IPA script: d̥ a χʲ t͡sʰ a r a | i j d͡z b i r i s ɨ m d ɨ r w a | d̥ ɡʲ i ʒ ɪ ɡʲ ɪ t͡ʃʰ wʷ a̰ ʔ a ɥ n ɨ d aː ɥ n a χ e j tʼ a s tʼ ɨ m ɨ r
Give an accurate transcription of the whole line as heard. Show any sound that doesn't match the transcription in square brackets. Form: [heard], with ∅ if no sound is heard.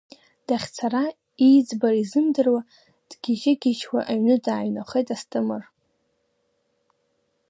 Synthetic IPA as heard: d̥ a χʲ t͡sʰ a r a | i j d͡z b [a] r i [z] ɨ m d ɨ r w a | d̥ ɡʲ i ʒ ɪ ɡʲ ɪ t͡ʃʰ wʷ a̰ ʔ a ɥ n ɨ d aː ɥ n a χ e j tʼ a s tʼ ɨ m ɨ r